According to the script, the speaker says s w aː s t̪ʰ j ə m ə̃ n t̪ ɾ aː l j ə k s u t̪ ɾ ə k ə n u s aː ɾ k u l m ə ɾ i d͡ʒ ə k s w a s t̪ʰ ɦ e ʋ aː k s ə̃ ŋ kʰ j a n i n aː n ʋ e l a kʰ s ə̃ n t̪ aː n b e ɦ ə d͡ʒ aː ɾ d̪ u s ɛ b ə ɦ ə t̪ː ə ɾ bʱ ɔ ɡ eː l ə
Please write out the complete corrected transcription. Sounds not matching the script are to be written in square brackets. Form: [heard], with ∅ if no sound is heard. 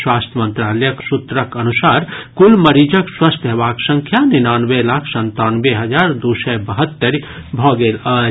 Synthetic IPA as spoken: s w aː s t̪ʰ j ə m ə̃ n t̪ ɾ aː l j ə k s u t̪ ɾ ə k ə n u s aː ɾ k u l m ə ɾ i d͡ʒ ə k s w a s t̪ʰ ɦ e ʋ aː k s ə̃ ŋ kʰ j a n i n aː n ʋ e l a kʰ s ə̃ n t̪ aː n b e ɦ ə d͡ʒ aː ɾ d̪ u s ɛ b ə ɦ ə t̪ː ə ɾ bʱ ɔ ɡ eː l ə

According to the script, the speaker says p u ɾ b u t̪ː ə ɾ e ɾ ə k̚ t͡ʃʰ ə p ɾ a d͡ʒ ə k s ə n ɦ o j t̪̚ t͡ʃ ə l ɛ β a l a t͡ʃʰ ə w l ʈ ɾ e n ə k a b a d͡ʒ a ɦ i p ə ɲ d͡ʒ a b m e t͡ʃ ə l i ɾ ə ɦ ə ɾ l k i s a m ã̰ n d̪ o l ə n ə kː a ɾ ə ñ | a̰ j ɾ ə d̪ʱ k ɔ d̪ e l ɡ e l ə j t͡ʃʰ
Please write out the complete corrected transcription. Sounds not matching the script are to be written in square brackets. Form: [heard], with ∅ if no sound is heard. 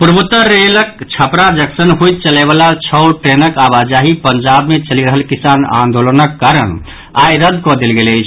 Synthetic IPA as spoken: p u ɾ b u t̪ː ə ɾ e [l] ə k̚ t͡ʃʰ ə p ɾ a d͡ʒ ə k s ə n ɦ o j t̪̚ t͡ʃ ə l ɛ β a l a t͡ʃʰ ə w l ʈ ɾ e n ə k a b a d͡ʒ a ɦ i p ə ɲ d͡ʒ a b m e t͡ʃ ə l i ɾ ə ɦ ə [∅] l k i s a [n] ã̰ n d̪ o l ə n ə kː a ɾ ə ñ | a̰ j ɾ ə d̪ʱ k ɔ d̪ e l ɡ e l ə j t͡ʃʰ

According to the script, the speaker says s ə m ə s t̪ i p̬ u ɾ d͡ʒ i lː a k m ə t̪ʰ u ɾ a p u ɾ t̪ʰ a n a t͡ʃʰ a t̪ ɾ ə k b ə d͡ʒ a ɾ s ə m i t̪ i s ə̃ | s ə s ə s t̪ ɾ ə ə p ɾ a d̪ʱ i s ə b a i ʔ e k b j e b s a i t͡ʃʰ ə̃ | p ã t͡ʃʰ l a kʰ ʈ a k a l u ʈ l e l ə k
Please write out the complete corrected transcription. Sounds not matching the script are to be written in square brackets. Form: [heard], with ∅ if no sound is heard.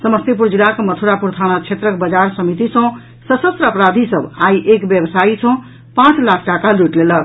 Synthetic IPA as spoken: s ə m ə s t̪ i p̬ u ɾ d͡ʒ i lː a k m ə t̪ʰ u ɾ a p u ɾ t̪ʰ a n a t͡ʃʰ [e] t̪ ɾ ə k b ə d͡ʒ a ɾ s ə m i t̪ i s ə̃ | s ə s ə s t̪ ɾ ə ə p ɾ a d̪ʱ i s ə b a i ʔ e k b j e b s a i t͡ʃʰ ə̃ | p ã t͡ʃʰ l a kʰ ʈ a k a l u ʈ l e l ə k

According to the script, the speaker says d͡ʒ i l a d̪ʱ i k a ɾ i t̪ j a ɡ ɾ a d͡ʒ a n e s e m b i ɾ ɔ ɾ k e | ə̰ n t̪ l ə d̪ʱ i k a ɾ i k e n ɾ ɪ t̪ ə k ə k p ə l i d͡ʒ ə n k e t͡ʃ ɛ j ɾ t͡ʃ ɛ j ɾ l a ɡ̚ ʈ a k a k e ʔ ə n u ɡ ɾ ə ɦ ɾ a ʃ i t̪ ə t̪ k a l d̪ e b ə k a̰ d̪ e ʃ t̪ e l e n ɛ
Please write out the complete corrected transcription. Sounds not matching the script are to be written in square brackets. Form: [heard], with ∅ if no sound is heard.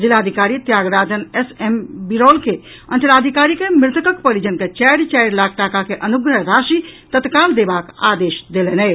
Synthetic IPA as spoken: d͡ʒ i l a d̪ʱ i k a ɾ i t̪ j a ɡ ɾ a d͡ʒ [ə] n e s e m b i ɾ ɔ [l] k e | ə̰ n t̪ l [a] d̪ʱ i k a ɾ i k e [m] ɾ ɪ t̪ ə k ə k p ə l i d͡ʒ ə n k e t͡ʃ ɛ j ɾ t͡ʃ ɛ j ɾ l a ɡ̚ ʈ a k a k e ʔ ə n u ɡ ɾ ə ɦ ɾ a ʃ i t̪ ə t̪ k a l d̪ e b [a] k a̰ d̪ e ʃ [d̪] e l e n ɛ

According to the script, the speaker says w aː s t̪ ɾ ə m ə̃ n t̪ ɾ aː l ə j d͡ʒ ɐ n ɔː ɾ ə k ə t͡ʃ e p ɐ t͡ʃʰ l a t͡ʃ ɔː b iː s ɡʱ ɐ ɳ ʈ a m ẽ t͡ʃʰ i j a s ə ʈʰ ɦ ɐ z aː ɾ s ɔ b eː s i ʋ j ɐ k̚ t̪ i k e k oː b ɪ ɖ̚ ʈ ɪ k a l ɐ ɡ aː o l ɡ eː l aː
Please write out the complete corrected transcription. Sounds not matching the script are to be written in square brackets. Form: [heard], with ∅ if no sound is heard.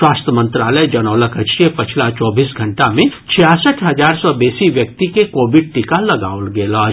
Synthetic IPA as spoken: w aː s t̪ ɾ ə m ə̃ n t̪ ɾ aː l ə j d͡ʒ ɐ n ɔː [l] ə k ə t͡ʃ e p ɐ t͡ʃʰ l a t͡ʃ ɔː b iː s ɡʱ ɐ ɳ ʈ a m ẽ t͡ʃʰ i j a s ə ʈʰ ɦ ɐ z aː ɾ s ɔ b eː s i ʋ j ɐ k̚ t̪ i k e k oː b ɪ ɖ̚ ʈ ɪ k a l ɐ ɡ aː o l ɡ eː l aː

